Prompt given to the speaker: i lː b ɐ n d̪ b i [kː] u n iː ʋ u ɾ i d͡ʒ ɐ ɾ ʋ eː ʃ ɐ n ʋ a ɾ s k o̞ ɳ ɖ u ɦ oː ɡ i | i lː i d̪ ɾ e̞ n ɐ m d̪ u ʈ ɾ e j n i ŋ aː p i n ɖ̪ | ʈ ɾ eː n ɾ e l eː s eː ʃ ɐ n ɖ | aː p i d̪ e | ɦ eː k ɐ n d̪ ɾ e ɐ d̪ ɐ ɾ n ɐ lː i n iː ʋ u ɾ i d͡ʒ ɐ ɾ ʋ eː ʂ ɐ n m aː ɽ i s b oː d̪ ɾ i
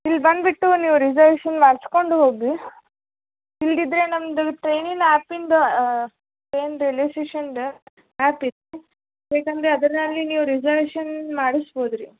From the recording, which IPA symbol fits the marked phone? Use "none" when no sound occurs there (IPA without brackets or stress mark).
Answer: ʈː